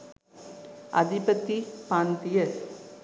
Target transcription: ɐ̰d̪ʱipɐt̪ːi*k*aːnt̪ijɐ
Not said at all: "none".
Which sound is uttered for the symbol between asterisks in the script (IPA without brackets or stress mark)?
p